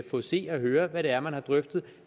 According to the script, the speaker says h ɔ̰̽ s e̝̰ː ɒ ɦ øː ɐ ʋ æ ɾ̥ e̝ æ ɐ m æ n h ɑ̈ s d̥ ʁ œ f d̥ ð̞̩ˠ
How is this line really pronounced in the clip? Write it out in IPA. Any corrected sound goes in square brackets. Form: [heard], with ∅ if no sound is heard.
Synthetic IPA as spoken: [f] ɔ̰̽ s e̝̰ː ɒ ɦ øː ɐ ʋ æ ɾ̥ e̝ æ ɐ m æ n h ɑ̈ [∅] d̥ ʁ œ f d̥ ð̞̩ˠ